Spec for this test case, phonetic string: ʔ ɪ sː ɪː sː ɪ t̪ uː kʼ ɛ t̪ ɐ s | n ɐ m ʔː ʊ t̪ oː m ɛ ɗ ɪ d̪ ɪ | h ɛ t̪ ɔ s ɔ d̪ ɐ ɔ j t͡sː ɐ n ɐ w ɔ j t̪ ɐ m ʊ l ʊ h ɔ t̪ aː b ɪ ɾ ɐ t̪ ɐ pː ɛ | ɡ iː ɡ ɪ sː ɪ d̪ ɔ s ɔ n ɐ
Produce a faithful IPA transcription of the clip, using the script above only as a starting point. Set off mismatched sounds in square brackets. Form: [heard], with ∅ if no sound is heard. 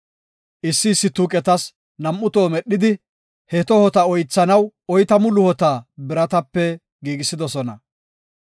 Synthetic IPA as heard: ʔ ɪ sː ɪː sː ɪ t̪ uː kʼ ɛ t̪ ɐ s | n ɐ m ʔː ʊ t̪ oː m ɛ ɗ ɪ d̪ ɪ | h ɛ t̪ ɔ [h] ɔ [t̪] ɐ ɔ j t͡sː ɐ n ɐ w ɔ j t̪ ɐ m ʊ l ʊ h ɔ t̪ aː b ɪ ɾ ɐ t̪ ɐ pː ɛ | ɡ iː ɡ ɪ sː ɪ d̪ ɔ s ɔ n ɐ